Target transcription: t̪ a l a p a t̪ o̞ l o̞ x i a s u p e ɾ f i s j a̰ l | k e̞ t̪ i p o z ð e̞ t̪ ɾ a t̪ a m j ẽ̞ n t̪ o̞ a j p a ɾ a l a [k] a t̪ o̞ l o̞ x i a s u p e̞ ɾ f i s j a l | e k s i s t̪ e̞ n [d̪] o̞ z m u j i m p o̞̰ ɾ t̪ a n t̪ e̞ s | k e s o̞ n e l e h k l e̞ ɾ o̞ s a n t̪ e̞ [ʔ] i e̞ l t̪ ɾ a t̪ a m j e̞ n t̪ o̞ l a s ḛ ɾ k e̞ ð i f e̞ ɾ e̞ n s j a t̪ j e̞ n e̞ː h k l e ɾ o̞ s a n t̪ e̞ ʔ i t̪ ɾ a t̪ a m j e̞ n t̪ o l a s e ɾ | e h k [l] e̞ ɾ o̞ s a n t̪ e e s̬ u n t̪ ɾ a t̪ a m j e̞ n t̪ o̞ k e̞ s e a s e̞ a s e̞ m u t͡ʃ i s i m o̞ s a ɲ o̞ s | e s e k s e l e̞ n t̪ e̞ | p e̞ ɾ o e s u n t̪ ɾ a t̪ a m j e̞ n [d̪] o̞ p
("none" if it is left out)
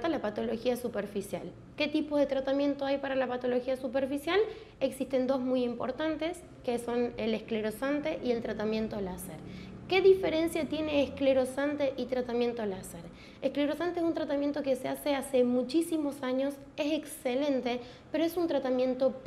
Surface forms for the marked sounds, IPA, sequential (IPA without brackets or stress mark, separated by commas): p, d̪, ʔ, l, t̪